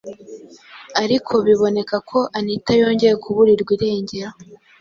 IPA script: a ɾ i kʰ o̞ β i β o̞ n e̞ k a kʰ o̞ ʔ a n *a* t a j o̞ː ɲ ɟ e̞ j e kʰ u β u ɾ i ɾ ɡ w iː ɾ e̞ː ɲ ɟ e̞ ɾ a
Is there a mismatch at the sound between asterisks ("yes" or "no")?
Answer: yes